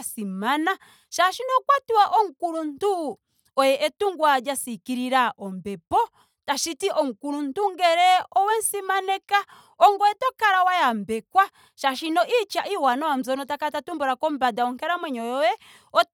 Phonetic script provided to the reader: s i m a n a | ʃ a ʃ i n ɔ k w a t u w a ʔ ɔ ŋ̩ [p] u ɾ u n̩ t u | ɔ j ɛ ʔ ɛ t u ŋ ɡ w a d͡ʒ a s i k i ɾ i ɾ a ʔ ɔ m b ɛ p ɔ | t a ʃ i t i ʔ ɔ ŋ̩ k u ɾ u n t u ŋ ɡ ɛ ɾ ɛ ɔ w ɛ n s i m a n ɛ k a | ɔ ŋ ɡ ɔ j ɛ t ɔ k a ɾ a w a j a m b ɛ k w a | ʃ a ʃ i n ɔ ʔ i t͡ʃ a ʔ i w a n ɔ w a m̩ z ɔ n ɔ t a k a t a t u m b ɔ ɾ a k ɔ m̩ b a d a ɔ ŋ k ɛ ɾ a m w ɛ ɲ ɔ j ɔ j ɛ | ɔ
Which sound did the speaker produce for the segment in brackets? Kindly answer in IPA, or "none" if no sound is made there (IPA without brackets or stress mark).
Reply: k